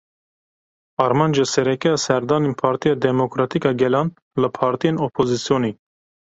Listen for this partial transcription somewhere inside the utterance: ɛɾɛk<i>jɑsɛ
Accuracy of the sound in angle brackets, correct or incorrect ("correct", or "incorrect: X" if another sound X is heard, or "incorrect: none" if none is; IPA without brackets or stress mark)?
incorrect: ɛ